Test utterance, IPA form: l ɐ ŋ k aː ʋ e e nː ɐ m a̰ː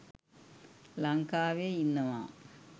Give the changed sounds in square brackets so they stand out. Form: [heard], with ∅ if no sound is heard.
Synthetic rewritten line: l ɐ ŋ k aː ʋ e [i] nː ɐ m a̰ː